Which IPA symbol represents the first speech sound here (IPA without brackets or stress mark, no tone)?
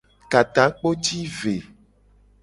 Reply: k